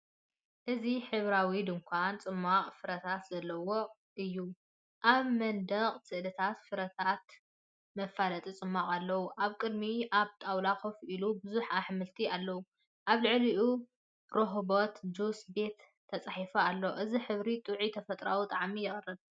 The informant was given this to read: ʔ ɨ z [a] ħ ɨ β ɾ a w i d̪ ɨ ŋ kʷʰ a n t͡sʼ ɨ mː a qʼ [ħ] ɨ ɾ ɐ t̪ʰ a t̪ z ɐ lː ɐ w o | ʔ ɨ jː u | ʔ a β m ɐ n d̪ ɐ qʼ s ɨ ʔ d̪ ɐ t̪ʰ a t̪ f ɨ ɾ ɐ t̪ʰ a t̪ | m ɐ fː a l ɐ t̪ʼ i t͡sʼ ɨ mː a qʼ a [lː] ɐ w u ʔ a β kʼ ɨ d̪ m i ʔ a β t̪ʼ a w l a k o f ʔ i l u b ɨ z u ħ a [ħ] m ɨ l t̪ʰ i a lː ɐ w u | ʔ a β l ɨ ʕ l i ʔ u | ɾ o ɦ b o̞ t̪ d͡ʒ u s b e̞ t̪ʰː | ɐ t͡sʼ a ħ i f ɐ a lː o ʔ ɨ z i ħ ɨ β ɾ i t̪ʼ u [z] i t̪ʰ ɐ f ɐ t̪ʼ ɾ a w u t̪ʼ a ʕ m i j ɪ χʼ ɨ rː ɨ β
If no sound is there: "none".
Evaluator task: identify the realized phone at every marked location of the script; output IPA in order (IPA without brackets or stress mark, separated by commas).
i, f, lː, ħ, ʕ